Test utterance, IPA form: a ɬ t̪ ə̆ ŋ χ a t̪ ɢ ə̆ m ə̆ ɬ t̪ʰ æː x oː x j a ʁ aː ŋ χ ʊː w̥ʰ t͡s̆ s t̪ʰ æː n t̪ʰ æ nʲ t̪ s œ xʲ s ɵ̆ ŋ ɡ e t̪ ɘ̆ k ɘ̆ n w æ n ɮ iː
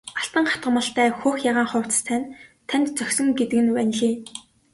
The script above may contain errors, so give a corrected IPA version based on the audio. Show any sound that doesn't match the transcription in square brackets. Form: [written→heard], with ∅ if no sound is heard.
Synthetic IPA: a ɬ t̪ ə̆ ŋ χ a t̪ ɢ ə̆ m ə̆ ɬ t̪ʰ æː x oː x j a ʁ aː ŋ χ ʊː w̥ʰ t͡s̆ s t̪ʰ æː n t̪ʰ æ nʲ t̪ [s→t͡s] œ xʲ s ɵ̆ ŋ ɡ e t̪ ɘ̆ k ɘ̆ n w æ n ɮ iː